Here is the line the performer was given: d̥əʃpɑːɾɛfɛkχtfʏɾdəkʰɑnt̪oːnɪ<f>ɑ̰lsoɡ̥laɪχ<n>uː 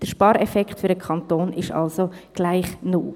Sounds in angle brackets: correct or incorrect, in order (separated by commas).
incorrect, correct